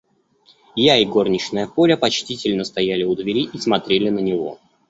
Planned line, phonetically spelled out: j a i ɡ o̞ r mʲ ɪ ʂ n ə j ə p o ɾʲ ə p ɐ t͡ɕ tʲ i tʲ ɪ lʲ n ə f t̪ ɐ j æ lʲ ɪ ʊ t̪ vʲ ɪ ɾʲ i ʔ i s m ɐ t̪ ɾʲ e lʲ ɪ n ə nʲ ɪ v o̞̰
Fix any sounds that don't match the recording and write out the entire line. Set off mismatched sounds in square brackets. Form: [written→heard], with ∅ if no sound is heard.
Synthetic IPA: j a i ɡ o̞ r [mʲ→nʲ] ɪ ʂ n ə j ə p o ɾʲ ə p ɐ t͡ɕ tʲ i tʲ ɪ lʲ n ə [f→s] t̪ ɐ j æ lʲ ɪ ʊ [t̪→d̪] vʲ ɪ ɾʲ i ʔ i s m ɐ t̪ ɾʲ e lʲ ɪ n ə nʲ ɪ v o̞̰